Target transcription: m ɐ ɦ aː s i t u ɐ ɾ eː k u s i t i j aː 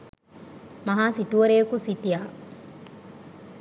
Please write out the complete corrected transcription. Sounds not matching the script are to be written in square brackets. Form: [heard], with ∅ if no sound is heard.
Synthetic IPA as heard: m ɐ ɦ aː s i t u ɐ ɾ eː k u s i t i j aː